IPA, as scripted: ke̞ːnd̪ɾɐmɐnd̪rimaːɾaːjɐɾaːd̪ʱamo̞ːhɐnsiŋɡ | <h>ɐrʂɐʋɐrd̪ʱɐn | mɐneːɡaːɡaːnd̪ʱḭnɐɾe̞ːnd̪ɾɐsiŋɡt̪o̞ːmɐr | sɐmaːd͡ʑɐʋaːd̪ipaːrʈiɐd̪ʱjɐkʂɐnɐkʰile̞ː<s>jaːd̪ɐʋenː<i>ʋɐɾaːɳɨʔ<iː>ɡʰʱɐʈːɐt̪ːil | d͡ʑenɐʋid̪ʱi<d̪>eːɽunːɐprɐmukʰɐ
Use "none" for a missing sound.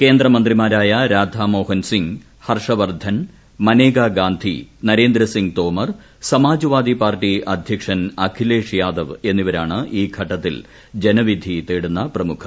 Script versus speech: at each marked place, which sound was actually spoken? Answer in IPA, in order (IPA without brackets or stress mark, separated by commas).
h, ʂ, i, iː, t̪